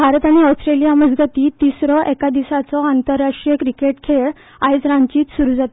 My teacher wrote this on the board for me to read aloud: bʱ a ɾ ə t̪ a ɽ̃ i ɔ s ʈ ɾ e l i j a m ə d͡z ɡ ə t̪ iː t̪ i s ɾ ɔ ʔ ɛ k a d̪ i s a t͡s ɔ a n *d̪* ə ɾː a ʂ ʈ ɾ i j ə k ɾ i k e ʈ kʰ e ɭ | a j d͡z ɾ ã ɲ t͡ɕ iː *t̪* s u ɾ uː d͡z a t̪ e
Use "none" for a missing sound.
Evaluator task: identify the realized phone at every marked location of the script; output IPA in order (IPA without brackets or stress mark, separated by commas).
t̪, t̪